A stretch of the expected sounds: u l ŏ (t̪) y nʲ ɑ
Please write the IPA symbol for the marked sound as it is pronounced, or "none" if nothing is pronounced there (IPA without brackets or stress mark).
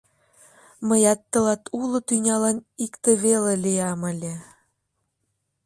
t̪